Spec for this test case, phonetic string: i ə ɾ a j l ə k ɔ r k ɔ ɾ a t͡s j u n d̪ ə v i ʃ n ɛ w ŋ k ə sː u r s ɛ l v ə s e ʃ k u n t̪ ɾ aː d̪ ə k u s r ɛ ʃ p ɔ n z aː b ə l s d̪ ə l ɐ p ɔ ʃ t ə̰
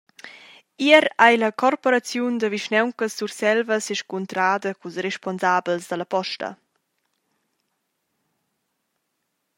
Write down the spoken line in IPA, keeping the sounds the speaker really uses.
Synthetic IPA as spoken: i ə ɾ a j l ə k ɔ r p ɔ ɾ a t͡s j u n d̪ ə v i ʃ n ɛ w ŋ k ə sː u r s ɛ l v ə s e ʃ k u n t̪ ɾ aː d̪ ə k u s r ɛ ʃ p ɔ n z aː b ə l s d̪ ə l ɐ p ɔ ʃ t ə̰